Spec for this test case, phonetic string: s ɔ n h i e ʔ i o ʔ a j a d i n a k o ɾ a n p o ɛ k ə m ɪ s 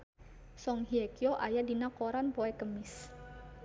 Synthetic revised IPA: s ɔ ŋ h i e k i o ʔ a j a d i n a k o ɾ a n p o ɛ k ə m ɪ s